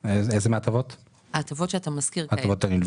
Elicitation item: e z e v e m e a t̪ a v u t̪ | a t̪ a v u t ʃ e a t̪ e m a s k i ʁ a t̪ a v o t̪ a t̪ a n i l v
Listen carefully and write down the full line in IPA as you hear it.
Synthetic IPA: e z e z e m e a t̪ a v o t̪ | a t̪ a v o t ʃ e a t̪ a m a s k i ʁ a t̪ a v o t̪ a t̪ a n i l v